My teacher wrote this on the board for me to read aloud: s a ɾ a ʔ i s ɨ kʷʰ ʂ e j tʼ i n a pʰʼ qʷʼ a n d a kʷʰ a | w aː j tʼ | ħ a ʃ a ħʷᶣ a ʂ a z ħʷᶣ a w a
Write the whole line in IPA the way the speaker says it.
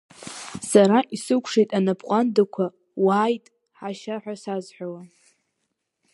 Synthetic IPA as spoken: s a ɾ a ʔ i s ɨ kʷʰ ʂ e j tʼ a n a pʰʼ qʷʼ a n d a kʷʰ a | w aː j tʼ | ħ a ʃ a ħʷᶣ a s a z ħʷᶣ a w a